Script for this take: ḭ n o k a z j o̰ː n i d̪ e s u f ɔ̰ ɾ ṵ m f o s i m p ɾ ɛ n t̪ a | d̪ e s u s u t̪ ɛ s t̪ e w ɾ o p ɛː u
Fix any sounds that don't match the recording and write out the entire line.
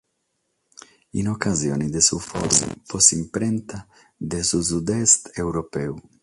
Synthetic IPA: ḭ n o k a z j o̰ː n i d̪ e s u f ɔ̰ ɾ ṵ m f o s i m p ɾ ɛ n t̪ a | d̪ e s u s u d̪ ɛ s t̪ e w ɾ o p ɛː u